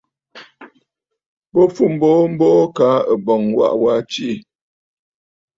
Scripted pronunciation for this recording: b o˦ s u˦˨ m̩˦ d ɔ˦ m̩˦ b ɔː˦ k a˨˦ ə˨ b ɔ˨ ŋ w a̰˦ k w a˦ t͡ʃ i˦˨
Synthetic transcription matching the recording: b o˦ f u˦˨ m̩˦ b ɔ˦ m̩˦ b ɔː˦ k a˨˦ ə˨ b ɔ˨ ŋ w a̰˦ ʔ w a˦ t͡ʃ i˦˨